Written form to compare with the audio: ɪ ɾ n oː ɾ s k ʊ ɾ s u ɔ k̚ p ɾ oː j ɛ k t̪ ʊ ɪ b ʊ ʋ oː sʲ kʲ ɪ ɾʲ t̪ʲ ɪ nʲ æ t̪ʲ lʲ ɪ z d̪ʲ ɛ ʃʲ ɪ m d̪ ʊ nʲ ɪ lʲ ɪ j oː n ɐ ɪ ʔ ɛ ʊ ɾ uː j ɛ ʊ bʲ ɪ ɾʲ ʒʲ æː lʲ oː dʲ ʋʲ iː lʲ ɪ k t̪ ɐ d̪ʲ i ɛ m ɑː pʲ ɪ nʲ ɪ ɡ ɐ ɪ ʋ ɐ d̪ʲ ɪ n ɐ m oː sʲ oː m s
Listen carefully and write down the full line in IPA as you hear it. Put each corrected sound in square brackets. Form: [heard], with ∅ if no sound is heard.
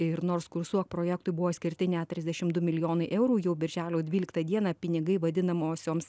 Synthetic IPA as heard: ɪ ɾ n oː ɾ s k ʊ ɾ s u ɔ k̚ p ɾ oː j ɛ k t̪ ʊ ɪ b ʊ ʋ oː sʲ kʲ ɪ ɾʲ t̪ʲ ɪ nʲ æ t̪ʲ [ɾʲ] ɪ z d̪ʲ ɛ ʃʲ ɪ m d̪ ʊ [mʲ] ɪ lʲ ɪ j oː n ɐ ɪ ʔ ɛ ʊ ɾ uː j ɛ ʊ bʲ ɪ ɾʲ ʒʲ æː lʲ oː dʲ ʋʲ iː lʲ ɪ k t̪ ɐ d̪ʲ i ɛ [n] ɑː pʲ ɪ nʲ ɪ ɡ ɐ ɪ ʋ ɐ d̪ʲ ɪ n ɐ m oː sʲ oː m s

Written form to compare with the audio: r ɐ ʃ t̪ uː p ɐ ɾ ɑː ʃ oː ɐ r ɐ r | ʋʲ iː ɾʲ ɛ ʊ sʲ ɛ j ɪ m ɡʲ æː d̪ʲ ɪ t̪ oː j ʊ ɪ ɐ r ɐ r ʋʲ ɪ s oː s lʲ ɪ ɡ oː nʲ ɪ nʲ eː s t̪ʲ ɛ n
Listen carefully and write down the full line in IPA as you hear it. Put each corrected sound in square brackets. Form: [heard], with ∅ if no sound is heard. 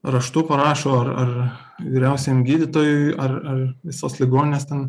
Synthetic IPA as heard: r ɐ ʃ t̪ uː p ɐ ɾ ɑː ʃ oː ɐ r ɐ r | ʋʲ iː ɾʲ ɛ ʊ sʲ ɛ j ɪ m ɡʲ [iː] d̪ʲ ɪ t̪ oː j ʊ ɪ ɐ r ɐ r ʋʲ ɪ s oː s lʲ ɪ ɡ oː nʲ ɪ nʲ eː s t̪ʲ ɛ n

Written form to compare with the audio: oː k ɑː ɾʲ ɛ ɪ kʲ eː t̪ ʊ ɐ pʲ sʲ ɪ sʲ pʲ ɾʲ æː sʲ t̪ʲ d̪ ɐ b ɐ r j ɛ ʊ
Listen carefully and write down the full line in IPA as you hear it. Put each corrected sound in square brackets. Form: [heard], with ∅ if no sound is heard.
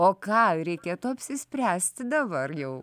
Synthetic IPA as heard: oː k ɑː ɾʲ ɛ ɪ kʲ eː t̪ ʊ ɐ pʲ sʲ ɪ sʲ pʲ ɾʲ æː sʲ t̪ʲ d̪ ɐ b ɐ r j ɛ ʊ

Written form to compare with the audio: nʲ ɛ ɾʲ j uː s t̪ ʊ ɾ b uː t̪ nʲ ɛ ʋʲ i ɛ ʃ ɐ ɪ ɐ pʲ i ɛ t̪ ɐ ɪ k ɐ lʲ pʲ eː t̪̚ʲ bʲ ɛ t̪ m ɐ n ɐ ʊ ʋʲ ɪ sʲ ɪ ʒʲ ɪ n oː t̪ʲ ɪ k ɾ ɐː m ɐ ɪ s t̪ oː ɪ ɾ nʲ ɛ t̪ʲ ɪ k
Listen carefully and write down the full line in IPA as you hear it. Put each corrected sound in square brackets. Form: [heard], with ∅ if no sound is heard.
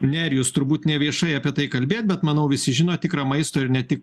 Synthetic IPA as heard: nʲ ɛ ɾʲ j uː s t̪ ʊ ɾ b uː t̪ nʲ ɛ ʋʲ i ɛ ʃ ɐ ɪ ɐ pʲ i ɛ t̪ ɐ ɪ k ɐ lʲ [bʲ] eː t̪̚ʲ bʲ ɛ t̪ m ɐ n ɐ ʊ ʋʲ ɪ sʲ ɪ ʒʲ ɪ n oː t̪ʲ ɪ k ɾ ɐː m ɐ ɪ s t̪ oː ɪ ɾ nʲ ɛ t̪ʲ ɪ k

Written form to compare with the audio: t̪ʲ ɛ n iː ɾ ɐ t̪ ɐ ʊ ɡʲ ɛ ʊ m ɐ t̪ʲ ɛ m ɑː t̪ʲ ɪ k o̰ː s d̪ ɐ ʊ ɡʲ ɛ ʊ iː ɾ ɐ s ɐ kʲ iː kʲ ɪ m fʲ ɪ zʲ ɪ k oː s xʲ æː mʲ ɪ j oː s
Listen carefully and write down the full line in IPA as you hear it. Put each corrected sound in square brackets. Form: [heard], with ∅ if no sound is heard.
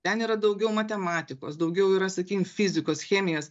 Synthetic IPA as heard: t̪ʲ ɛ n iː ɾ ɐ [d̪] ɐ ʊ ɡʲ ɛ ʊ m ɐ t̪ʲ ɛ m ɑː t̪ʲ ɪ k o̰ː s d̪ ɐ ʊ ɡʲ ɛ ʊ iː ɾ ɐ s ɐ kʲ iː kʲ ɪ m fʲ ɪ zʲ ɪ k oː s xʲ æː mʲ ɪ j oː s

